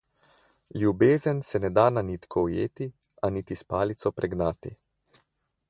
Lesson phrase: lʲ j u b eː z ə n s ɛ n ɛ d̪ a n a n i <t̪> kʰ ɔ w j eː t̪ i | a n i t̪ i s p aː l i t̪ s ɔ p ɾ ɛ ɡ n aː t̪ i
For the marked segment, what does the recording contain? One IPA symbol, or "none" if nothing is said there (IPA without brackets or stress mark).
t̪